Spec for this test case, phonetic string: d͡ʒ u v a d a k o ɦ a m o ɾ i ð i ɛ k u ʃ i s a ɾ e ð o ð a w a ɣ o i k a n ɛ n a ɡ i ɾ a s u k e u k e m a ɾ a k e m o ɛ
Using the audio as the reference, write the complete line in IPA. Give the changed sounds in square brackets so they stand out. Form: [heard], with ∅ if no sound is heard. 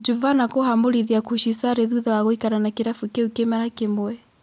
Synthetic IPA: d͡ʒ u v a [n] a k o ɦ a m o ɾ i ð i [a] k u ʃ i s a ɾ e ð [u] ð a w a ɣ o i k a n [a] n a [k] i ɾ a [f] u k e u k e m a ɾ a k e m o ɛ